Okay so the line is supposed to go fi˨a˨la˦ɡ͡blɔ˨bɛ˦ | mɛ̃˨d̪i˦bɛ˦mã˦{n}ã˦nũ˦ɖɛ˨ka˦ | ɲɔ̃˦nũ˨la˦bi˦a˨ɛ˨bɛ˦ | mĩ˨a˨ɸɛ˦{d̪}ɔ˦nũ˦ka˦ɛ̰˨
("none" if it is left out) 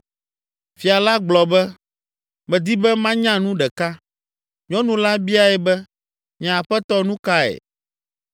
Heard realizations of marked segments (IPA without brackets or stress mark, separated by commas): ɲ, t̪